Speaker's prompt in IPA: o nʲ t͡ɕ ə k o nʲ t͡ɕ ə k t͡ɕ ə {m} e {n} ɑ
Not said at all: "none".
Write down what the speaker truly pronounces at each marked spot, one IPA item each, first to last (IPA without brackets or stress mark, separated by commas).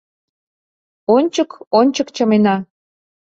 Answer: m, n